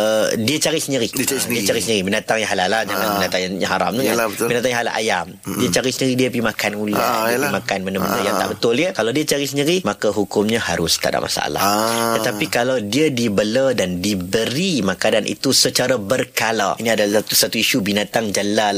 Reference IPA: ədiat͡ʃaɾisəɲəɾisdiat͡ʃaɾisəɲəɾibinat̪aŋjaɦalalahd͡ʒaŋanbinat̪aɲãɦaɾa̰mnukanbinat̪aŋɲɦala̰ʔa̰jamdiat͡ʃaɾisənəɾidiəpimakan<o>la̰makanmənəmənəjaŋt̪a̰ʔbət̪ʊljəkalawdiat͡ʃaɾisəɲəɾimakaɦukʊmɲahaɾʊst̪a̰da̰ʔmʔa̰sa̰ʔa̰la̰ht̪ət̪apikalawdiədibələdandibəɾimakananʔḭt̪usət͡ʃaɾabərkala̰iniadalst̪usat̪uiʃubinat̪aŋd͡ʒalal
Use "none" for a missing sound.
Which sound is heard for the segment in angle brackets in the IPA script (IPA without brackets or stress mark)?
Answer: u